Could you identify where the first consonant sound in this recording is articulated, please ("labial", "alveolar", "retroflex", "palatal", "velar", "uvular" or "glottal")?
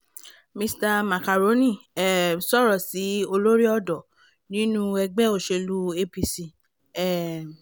labial